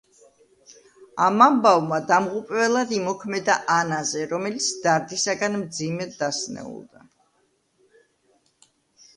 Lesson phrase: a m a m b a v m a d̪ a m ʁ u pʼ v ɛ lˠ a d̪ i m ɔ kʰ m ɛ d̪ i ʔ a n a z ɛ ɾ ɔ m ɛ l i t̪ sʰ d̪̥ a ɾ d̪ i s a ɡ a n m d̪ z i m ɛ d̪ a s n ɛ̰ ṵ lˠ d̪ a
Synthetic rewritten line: a m a m b a v m a d̪ a m ʁ u pʼ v ɛ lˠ a d̪ i m ɔ kʰ m ɛ d̪ a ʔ a n a z ɛ ɾ ɔ m ɛ l i t̪ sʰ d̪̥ a ɾ d̪ i s a ɡ a n m d̪ z i m ɛ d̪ a s n ɛ̰ ṵ lˠ d̪ a